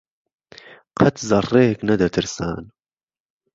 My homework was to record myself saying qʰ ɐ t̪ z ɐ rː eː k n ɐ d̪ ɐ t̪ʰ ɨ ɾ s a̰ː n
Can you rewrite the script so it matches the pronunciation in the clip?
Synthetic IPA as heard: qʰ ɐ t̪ z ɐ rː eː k n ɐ d̪ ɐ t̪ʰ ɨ ɾ s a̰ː n